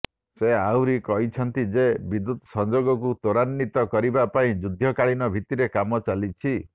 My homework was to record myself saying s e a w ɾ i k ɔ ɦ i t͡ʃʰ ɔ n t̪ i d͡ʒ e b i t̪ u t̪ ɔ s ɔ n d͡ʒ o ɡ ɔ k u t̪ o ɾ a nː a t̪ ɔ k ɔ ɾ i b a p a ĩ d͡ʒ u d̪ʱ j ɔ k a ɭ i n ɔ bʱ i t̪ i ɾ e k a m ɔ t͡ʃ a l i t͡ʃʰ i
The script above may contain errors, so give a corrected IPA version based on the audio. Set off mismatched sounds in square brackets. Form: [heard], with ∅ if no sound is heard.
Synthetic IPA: s e a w ɾ i k ɔ ɦ i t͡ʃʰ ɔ n t̪ i d͡ʒ e b i [d̪] u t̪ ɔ s ɔ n d͡ʒ o ɡ ɔ k u t̪ o ɾ a nː [i] t̪ ɔ k ɔ ɾ i b a p a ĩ d͡ʒ u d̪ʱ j ɔ k a ɭ i n ɔ bʱ i t̪ i ɾ e k a m ɔ t͡ʃ a l i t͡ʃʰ i

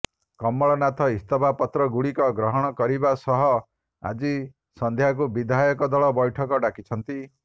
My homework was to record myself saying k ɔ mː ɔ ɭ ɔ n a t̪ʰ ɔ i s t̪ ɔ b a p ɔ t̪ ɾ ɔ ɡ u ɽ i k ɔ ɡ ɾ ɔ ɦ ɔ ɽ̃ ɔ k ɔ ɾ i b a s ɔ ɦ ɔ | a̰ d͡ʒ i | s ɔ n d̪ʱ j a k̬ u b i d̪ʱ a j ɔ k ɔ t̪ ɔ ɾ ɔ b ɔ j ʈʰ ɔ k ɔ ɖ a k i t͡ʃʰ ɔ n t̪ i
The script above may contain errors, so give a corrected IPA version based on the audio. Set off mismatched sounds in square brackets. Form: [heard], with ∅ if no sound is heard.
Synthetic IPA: k ɔ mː ɔ ɭ ɔ n a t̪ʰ ɔ i s t̪ ɔ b a p ɔ t̪ ɾ ɔ ɡ u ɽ i k ɔ ɡ ɾ ɔ ɦ ɔ ɽ̃ ɔ k ɔ ɾ i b a s ɔ ɦ ɔ | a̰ d͡ʒ i | s ɔ n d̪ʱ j a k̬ u b i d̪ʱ a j ɔ k ɔ [d̪] ɔ [ɭ] ɔ b ɔ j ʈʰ ɔ k ɔ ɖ a k i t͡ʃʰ ɔ n t̪ i

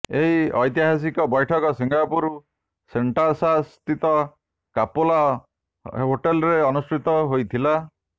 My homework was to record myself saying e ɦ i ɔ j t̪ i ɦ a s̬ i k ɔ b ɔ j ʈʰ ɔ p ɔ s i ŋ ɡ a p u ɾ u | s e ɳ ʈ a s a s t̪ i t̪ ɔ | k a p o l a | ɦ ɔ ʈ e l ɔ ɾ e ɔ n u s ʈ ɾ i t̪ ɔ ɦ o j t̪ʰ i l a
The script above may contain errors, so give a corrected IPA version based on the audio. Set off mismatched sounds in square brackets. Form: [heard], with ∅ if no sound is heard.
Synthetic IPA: e ɦ i ɔ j t̪ i ɦ a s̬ i k ɔ b ɔ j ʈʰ ɔ [k] ɔ s i ŋ ɡ a p u ɾ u | s e ɳ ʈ a s a s t̪ i t̪ ɔ | k a p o l a | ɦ [o] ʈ e l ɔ ɾ e ɔ n u s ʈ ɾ i t̪ ɔ ɦ o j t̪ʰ i l a

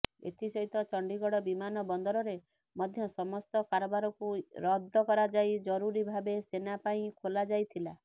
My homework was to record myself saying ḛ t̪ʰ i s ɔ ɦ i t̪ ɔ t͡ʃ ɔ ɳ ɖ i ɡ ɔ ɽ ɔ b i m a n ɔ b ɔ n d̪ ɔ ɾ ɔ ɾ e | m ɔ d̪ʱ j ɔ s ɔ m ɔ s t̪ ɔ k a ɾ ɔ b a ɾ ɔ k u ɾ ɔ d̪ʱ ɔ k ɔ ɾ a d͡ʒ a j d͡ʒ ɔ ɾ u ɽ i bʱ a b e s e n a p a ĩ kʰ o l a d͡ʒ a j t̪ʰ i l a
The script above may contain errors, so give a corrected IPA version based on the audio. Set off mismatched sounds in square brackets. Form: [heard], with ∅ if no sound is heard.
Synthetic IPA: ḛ t̪ʰ i s ɔ ɦ i t̪ ɔ t͡ʃ ɔ ɳ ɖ i ɡ ɔ ɽ ɔ b i m a n ɔ b ɔ n d̪ ɔ ɾ ɔ ɾ e | m ɔ d̪ʱ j ɔ s ɔ m ɔ s t̪ ɔ k a ɾ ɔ b a ɾ ɔ k u ɾ ɔ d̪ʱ ɔ k ɔ ɾ a d͡ʒ a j d͡ʒ ɔ ɾ u [ɾ] i bʱ a b e s e n a p a ĩ kʰ o l a d͡ʒ a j t̪ʰ i l a

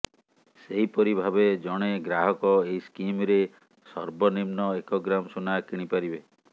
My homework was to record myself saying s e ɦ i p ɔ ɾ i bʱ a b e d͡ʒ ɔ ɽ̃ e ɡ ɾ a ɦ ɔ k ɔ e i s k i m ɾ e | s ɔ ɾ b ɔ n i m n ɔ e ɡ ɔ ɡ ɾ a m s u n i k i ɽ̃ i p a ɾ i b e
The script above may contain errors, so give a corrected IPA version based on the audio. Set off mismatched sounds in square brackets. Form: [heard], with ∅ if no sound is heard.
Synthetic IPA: s e ɦ i p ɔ ɾ i bʱ a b e d͡ʒ ɔ ɽ̃ e ɡ ɾ a ɦ ɔ k ɔ e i s k i m ɾ e | s ɔ ɾ b ɔ n i m n ɔ e [k] ɔ ɡ ɾ a m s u n [a] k i ɽ̃ i p a ɾ i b e

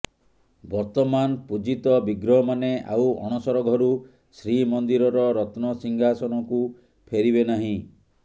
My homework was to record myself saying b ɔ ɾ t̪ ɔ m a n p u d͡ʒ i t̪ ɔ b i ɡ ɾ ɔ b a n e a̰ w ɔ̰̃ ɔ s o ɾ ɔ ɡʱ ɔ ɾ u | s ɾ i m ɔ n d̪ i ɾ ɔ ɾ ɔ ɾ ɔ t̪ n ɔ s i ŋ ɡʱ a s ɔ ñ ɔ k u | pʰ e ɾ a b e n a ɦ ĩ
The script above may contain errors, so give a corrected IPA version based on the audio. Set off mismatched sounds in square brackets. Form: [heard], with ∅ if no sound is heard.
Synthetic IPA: b ɔ ɾ t̪ ɔ m a n p u d͡ʒ i t̪ ɔ b i ɡ ɾ ɔ [m] a n e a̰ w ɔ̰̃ ɔ s [ɔ] ɾ ɔ ɡʱ ɔ ɾ u | s ɾ i m ɔ n d̪ i ɾ ɔ ɾ ɔ ɾ ɔ t̪ n ɔ s i ŋ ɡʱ a s ɔ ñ ɔ k u | pʰ e ɾ [i] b e n a ɦ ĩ

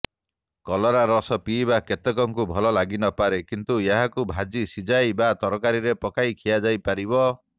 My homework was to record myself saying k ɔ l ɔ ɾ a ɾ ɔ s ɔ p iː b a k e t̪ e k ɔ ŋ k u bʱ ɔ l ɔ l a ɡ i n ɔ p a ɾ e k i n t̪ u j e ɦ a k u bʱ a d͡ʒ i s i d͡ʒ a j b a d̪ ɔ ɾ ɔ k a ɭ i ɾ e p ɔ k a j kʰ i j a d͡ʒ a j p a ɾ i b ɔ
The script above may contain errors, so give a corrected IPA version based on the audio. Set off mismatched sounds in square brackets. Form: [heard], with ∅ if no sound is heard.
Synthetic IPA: k ɔ l ɔ ɾ a ɾ ɔ s ɔ p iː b a k e t̪ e k ɔ ŋ k u bʱ ɔ l ɔ l a ɡ i n ɔ p a ɾ e k i n t̪ u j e ɦ a k u bʱ a d͡ʒ i s i d͡ʒ a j b a [t̪] ɔ ɾ ɔ k a [ɾ] i ɾ e p ɔ k a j kʰ i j a d͡ʒ a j p a ɾ i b ɔ

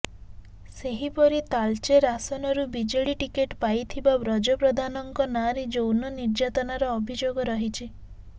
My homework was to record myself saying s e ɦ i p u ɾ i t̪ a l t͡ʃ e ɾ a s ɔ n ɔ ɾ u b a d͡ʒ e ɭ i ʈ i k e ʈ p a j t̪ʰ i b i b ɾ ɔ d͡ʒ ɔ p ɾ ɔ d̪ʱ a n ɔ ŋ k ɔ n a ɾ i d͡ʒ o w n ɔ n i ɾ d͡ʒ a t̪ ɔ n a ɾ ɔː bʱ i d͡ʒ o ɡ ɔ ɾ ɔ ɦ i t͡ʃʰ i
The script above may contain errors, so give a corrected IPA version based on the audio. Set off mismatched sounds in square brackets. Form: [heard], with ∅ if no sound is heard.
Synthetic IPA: s e ɦ i p [ɔ] ɾ i t̪ a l t͡ʃ e ɾ a s ɔ n ɔ ɾ u b [i] d͡ʒ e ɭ i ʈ i k e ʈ p a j t̪ʰ i b [a] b ɾ ɔ d͡ʒ ɔ p ɾ ɔ d̪ʱ a n ɔ ŋ k ɔ n a ɾ i d͡ʒ o w n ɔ n i ɾ d͡ʒ a t̪ ɔ n a ɾ ɔː bʱ i d͡ʒ o ɡ ɔ ɾ ɔ ɦ i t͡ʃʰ i

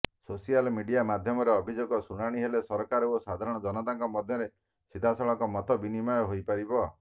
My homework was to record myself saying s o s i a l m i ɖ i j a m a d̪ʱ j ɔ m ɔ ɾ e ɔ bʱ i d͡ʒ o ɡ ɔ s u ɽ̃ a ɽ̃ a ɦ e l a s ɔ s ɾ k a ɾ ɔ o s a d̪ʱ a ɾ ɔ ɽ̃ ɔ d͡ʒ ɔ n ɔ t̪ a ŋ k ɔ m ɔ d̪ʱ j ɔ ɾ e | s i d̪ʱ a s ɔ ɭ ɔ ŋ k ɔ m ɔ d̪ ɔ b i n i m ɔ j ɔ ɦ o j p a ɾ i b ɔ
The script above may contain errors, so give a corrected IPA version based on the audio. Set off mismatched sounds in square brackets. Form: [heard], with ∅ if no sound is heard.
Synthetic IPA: s o s i a l m i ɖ i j a m a d̪ʱ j ɔ m ɔ ɾ e ɔ bʱ i d͡ʒ o ɡ ɔ s u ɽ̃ a ɽ̃ [i] ɦ e l [e] s ɔ [∅] ɾ k a ɾ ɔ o s a d̪ʱ a ɾ ɔ ɽ̃ ɔ d͡ʒ ɔ n ɔ t̪ a ŋ k ɔ m ɔ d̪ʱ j ɔ ɾ e | s i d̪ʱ a s ɔ ɭ ɔ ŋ k ɔ m ɔ [t̪] ɔ b i n i m ɔ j ɔ ɦ o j p a ɾ i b ɔ

